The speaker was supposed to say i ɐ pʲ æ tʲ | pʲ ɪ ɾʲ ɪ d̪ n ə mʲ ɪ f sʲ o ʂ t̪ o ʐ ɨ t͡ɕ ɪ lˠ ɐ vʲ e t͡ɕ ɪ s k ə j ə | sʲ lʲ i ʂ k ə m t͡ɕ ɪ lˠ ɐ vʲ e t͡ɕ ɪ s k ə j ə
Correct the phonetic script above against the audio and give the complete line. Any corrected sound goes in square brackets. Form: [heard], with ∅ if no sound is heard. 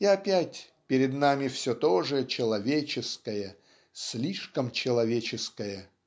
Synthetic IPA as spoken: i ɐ pʲ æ tʲ | pʲ ɪ ɾʲ ɪ d̪ n [a] mʲ ɪ f sʲ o [∅] t̪ o ʐ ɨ t͡ɕ ɪ lˠ ɐ vʲ e t͡ɕ ɪ s k ə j ə | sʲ lʲ i ʂ k ə m t͡ɕ ɪ lˠ ɐ vʲ e t͡ɕ ɪ s k ə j ə